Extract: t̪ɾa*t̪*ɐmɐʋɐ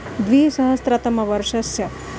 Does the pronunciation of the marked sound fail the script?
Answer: no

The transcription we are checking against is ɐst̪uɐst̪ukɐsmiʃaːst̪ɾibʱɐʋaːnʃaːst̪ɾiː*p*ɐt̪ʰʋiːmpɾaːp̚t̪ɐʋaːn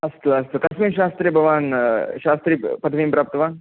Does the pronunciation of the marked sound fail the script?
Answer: no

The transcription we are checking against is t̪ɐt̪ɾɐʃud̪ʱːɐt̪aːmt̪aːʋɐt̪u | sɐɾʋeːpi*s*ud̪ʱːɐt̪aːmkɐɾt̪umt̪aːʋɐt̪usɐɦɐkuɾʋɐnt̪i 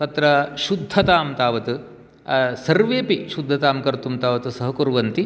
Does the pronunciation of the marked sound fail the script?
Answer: yes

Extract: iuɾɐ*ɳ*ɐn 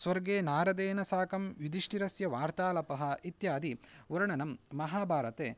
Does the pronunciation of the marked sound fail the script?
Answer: no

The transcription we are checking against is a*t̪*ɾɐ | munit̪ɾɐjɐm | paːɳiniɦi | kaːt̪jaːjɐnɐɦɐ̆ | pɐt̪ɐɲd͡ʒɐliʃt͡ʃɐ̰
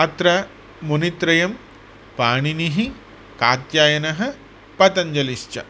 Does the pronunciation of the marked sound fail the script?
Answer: no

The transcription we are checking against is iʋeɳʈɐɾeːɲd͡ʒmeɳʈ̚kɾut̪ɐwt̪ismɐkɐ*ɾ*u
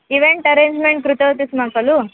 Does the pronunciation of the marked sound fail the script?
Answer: yes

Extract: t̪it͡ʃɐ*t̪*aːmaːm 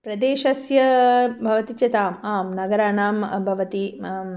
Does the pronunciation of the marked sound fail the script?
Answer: no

